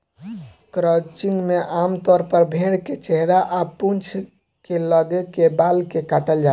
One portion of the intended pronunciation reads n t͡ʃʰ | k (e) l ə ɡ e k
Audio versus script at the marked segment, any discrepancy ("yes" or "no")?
no